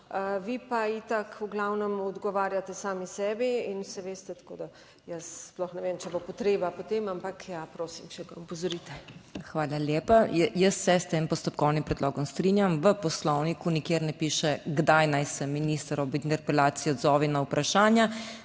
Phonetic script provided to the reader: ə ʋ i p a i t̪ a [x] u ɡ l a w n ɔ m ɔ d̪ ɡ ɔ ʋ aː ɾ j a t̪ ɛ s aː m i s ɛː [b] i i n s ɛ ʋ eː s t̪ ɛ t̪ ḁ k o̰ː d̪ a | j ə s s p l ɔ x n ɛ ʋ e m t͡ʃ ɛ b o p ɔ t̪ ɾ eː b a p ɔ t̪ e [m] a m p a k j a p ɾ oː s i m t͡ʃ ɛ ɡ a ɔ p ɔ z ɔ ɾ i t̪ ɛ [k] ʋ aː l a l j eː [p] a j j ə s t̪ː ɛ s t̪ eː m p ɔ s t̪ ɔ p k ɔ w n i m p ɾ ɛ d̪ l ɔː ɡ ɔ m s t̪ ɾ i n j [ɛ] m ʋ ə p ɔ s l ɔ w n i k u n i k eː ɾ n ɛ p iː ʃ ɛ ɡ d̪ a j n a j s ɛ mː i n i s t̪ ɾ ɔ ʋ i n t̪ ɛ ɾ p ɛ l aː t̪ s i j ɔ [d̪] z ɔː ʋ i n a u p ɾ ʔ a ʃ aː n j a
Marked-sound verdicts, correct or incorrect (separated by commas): incorrect, correct, correct, incorrect, correct, incorrect, correct